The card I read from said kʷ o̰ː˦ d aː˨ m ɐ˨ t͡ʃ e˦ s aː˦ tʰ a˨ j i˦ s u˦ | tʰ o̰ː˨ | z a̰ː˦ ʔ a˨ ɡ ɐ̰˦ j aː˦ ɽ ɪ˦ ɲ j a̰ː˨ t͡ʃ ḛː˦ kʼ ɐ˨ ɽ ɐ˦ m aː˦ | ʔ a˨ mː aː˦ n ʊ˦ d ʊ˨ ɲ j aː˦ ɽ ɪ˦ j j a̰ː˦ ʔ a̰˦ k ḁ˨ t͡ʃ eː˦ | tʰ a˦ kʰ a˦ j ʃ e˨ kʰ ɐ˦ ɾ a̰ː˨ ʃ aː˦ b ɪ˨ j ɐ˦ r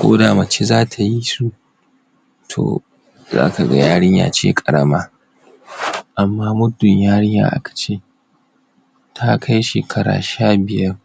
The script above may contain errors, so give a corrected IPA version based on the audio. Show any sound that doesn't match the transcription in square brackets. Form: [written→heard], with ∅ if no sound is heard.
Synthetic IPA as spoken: kʷ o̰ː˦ d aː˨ m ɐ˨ t͡ʃ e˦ [s→z] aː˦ tʰ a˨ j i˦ s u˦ | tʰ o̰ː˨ | z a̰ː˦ [ʔ→k] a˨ ɡ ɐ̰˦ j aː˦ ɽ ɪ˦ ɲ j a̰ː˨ t͡ʃ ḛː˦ kʼ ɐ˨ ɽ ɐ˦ m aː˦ | ʔ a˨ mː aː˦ [n→m] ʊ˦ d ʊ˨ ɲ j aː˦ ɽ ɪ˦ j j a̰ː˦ ʔ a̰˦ k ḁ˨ t͡ʃ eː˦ | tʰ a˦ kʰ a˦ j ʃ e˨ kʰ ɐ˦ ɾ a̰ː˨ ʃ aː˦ b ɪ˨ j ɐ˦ r